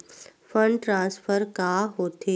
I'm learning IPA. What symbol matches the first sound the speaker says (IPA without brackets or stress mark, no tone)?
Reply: f